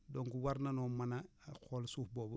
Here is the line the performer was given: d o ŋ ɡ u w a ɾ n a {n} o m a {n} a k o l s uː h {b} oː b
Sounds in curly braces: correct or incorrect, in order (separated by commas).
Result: correct, correct, correct